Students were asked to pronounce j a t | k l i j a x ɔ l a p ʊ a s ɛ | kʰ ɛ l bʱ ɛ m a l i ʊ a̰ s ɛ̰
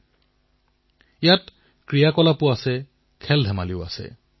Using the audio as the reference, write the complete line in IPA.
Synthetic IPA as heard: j a t | k ɹ i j a k ɔ l a p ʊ a s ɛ | kʰ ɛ l dʱ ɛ m a l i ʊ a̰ s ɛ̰